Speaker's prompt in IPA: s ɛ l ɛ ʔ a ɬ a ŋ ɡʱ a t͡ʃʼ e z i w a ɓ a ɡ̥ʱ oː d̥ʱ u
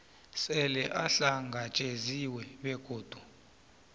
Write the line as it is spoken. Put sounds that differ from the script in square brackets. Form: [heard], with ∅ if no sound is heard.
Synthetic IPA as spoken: s ɛ l ɛ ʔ a ɬ a ŋ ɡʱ a t͡ʃʼ e z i w [ɛ] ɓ [ɛ] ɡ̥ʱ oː d̥ʱ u